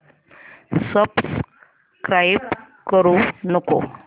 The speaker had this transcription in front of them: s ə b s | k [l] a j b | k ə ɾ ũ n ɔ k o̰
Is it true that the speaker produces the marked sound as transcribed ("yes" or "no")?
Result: no